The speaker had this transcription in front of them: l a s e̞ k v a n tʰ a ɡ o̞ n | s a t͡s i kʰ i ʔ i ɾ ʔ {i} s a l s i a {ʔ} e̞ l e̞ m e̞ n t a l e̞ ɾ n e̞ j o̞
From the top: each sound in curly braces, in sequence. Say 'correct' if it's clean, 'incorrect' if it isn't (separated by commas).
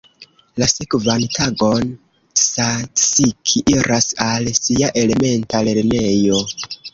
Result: incorrect, correct